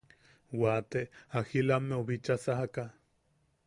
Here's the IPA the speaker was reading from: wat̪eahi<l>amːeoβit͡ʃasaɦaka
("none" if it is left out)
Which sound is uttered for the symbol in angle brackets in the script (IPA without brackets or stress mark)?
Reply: l